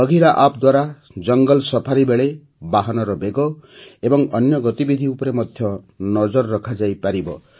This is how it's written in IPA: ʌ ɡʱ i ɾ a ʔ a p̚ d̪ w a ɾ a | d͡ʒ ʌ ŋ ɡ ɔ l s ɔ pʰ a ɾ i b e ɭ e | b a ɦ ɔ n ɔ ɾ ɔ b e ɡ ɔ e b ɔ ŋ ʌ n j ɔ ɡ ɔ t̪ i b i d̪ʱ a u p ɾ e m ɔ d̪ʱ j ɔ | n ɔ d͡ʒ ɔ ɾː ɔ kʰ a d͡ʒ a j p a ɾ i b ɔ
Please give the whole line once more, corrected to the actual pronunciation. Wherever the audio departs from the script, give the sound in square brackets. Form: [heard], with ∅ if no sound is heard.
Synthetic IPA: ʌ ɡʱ i ɾ a ʔ a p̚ d̪ w a ɾ a | d͡ʒ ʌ ŋ ɡ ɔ l s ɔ pʰ a ɾ i b e ɭ e | b a ɦ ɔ n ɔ ɾ ɔ b e ɡ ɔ e b ɔ ŋ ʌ n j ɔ ɡ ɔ t̪ i b i d̪ʱ [i] u p ɾ e m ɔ d̪ʱ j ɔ | n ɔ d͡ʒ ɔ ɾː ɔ kʰ a d͡ʒ a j p a ɾ i b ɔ